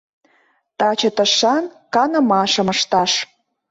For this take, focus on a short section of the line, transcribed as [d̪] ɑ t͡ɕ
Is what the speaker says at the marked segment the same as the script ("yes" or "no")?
no